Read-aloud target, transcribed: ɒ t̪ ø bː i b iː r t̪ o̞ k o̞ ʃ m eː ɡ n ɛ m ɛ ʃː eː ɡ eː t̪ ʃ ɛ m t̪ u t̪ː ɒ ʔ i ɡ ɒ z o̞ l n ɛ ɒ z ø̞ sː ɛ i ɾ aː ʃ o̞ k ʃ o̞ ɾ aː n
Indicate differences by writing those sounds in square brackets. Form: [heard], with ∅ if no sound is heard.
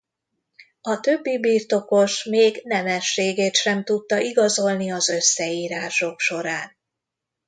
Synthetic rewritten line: ɒ t̪ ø bː i b iː r t̪ o̞ k o̞ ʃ m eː ɡ n ɛ m ɛ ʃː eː ɡ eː t̪ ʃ ɛ m t̪ u t̪ː ɒ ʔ i ɡ ɒ z o̞ l n [i] ɒ z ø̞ sː ɛ [iː] ɾ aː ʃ o̞ k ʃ o̞ ɾ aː n